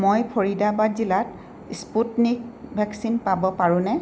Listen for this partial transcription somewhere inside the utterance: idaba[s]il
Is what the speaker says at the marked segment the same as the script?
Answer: no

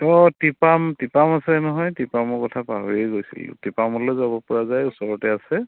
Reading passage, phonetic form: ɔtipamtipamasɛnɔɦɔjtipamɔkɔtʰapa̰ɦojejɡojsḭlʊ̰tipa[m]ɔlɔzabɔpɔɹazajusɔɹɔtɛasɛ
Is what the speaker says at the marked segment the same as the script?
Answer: yes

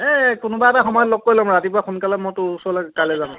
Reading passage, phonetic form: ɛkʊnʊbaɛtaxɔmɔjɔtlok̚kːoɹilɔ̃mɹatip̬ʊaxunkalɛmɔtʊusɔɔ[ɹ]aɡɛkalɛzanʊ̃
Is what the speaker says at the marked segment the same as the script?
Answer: no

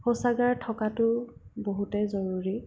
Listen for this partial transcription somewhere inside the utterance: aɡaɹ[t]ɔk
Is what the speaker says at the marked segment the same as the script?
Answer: no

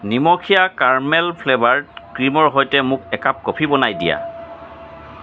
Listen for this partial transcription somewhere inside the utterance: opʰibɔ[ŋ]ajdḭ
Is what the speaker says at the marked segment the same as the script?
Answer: no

